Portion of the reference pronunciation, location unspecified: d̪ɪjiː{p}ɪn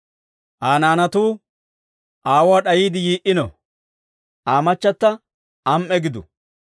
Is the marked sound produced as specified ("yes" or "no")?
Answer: no